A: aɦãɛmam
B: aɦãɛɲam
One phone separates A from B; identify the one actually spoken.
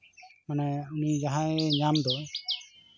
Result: B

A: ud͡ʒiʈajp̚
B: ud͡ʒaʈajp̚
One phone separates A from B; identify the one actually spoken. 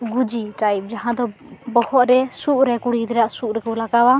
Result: A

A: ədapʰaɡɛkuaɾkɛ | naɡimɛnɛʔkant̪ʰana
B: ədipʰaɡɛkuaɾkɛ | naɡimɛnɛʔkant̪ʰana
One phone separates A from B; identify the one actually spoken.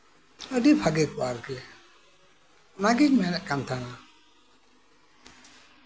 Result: B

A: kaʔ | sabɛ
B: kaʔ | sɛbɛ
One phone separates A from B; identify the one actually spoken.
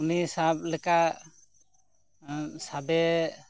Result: A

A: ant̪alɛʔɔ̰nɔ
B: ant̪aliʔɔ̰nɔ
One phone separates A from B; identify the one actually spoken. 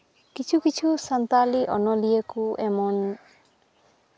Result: B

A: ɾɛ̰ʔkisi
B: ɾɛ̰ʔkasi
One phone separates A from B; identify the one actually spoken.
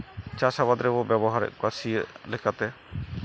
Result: B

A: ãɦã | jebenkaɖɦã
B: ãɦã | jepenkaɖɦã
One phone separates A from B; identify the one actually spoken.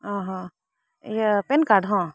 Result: B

